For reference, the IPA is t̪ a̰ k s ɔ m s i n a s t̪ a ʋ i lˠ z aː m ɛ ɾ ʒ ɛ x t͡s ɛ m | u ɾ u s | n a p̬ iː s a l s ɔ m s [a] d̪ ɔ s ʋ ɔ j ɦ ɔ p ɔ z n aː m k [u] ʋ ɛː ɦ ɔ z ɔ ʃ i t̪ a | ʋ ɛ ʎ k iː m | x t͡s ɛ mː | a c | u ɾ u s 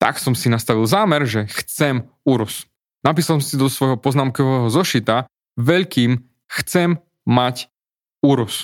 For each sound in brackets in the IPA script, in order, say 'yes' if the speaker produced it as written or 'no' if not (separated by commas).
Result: no, no